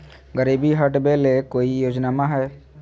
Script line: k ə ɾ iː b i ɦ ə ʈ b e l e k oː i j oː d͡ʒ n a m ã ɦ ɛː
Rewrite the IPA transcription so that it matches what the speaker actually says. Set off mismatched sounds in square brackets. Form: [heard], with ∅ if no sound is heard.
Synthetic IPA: [ɡ] ə ɾ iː b i ɦ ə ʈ b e l e k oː i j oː d͡ʒ n a m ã ɦ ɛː

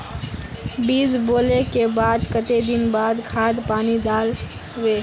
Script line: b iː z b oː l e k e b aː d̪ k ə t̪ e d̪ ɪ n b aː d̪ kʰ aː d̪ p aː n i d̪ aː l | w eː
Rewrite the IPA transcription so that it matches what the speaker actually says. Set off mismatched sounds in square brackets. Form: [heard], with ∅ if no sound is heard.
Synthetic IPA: b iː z b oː l e k e b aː d̪ k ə t̪ e d̪ ɪ n b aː d̪ kʰ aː d̪ p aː n i d̪ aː l | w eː

